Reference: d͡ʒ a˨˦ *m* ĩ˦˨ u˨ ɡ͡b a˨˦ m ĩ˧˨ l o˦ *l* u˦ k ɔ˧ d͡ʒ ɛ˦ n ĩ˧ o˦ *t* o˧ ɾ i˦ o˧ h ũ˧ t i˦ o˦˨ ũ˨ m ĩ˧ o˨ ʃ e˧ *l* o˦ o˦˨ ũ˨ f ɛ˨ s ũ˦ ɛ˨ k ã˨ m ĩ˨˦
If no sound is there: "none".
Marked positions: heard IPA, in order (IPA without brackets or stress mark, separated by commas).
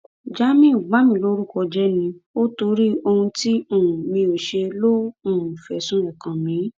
m, ɾ, t, l